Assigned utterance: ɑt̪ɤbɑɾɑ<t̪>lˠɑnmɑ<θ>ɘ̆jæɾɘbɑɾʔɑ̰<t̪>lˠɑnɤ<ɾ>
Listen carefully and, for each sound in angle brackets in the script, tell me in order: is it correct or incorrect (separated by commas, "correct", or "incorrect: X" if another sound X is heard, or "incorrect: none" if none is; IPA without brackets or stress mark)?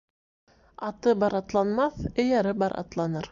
correct, correct, correct, correct